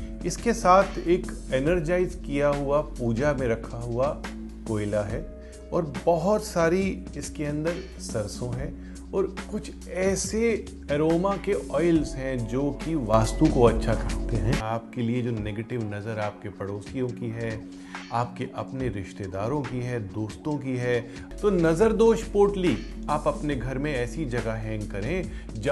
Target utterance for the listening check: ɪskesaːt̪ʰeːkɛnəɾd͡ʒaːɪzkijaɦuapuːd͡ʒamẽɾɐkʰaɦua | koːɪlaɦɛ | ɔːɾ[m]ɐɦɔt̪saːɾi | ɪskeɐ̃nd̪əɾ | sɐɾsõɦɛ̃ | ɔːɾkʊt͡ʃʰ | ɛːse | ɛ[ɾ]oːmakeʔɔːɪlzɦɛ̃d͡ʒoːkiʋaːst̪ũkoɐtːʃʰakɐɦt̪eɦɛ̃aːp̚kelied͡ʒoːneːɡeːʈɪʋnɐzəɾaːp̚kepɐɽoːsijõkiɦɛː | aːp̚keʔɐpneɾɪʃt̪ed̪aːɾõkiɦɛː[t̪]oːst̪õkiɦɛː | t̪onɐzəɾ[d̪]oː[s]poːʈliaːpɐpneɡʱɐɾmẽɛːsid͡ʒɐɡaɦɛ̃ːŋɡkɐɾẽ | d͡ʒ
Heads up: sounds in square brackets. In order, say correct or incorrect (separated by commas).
incorrect, correct, incorrect, correct, incorrect